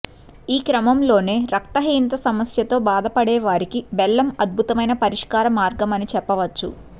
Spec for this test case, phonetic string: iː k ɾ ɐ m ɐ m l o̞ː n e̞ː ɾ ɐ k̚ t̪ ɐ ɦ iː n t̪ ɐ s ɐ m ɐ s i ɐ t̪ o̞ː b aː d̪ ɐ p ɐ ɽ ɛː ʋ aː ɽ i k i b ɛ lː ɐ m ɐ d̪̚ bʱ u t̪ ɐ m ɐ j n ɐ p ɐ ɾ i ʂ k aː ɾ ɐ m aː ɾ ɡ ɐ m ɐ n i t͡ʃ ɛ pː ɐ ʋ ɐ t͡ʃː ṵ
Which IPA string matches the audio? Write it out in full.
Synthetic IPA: iː k ɾ ɐ m ɐ m l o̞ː n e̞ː ɾ ɐ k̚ t̪ ɐ ɦ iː n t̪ ɐ s ɐ m ɐ s j ɐ t̪ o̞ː b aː d̪ ɐ p ɐ ɽ ɛː ʋ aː ɾ i k i b ɛ lː ɐ m ɐ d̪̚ bʱ u t̪ ɐ m ɐ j n ɐ p ɐ ɾ i ʂ k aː ɾ ɐ m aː ɾ ɡ ɐ m ɐ n i t͡ʃ ɛ pː ɐ ʋ ɐ t͡ʃː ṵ